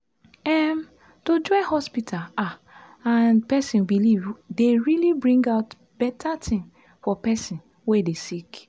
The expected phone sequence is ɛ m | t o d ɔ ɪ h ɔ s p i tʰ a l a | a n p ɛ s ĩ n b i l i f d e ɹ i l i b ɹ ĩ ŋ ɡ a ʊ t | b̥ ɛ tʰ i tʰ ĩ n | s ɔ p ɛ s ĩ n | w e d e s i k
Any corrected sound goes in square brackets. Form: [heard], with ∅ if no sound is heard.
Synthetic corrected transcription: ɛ m | t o [d͡ʒ] ɔ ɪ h ɔ s p i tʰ a l a | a n p ɛ s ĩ n b i l i [v] d e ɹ i l i b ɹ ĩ ŋ ɡ a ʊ t | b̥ ɛ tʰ [a] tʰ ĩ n | [f] ɔ p ɛ s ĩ n | w e d e s i k